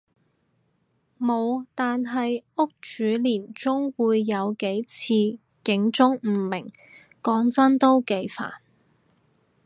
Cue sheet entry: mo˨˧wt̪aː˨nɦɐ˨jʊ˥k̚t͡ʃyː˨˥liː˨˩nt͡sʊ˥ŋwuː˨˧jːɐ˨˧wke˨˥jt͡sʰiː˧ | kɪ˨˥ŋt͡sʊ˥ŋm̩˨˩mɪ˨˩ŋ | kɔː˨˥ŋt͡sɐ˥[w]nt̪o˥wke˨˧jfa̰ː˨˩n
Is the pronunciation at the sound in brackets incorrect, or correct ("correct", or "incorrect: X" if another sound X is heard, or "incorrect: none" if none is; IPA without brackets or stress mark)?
incorrect: none